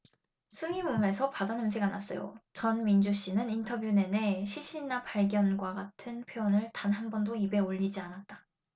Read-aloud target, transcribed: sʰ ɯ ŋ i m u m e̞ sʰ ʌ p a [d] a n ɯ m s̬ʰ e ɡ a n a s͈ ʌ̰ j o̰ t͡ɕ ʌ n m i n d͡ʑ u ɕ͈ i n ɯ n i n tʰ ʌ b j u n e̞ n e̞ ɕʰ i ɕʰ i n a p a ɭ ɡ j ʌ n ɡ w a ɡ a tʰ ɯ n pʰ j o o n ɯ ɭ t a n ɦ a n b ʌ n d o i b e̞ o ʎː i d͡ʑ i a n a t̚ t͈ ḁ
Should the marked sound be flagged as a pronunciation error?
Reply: no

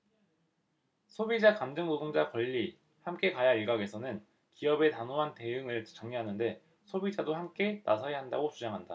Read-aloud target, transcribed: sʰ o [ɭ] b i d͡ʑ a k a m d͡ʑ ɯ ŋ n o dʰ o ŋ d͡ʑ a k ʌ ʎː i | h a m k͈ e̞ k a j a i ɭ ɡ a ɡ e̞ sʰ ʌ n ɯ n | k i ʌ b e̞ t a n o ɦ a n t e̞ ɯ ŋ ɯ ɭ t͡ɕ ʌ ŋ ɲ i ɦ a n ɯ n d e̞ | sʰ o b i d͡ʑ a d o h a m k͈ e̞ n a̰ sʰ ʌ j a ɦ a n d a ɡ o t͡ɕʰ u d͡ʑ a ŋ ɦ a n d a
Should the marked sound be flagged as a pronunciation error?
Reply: yes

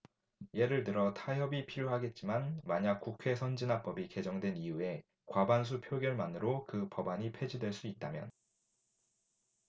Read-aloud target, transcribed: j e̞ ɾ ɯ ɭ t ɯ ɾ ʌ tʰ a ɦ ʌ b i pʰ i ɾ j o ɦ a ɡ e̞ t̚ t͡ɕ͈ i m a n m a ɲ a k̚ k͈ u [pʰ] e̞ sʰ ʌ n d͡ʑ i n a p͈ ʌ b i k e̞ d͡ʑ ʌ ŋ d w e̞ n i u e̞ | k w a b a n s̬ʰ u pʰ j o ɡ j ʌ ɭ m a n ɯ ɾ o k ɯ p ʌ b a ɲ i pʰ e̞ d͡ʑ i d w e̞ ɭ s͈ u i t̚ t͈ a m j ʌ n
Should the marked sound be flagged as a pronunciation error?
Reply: yes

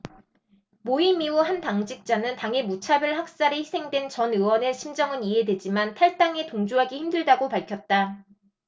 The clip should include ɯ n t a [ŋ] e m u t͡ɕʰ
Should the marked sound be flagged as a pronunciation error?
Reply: no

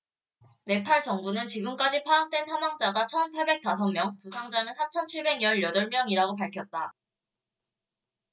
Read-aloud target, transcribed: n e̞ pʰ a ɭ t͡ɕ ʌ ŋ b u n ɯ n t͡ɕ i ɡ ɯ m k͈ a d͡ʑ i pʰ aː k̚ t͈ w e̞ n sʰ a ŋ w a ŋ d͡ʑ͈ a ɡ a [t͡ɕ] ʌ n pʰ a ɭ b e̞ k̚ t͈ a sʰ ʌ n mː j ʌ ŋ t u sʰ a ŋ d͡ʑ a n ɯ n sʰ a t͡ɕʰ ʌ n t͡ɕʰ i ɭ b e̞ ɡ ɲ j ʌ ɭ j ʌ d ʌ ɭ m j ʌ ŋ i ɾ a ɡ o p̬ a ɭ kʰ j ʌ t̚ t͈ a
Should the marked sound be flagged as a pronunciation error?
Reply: yes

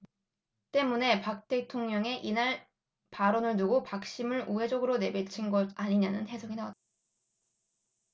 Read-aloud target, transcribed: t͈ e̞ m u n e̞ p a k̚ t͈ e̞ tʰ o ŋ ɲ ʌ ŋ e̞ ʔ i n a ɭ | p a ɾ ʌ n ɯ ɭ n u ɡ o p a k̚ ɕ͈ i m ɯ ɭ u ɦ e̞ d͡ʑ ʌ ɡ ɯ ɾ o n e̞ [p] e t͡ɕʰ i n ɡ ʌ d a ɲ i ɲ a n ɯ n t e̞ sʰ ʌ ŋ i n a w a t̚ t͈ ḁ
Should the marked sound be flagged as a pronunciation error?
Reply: yes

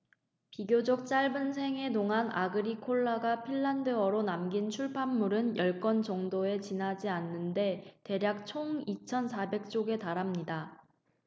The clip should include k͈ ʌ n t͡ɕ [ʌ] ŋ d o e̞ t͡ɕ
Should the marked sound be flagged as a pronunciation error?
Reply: no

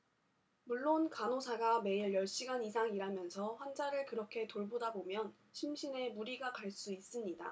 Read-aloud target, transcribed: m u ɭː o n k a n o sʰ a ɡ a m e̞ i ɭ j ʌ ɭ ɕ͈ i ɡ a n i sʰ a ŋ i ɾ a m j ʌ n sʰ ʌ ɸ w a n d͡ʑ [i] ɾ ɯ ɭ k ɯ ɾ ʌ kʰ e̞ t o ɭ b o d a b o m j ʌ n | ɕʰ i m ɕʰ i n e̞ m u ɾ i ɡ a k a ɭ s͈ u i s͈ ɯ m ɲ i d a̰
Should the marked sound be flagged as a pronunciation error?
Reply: yes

